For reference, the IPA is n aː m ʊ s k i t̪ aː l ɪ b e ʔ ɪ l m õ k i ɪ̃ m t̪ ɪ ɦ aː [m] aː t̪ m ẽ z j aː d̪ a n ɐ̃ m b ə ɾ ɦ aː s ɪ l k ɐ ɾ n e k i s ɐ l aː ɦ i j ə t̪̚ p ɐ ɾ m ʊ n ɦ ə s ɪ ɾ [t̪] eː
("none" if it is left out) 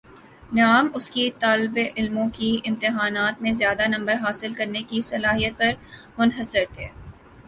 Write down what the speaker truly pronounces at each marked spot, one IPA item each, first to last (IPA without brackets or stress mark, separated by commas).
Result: n, t̪ʰ